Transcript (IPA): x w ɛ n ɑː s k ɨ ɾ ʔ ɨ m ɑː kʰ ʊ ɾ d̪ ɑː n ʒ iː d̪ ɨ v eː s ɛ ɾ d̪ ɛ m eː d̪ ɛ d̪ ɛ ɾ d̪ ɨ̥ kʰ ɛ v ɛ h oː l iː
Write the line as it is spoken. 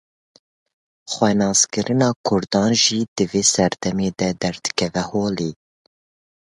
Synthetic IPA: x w ɛ n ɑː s k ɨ ɾ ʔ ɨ n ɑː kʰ ʊ ɾ d̪ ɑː n ʒ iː d̪ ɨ v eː s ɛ ɾ d̪ ɛ m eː d̪ ɛ d̪ ɛ ɾ d̪ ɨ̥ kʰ ɛ v ɛ h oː l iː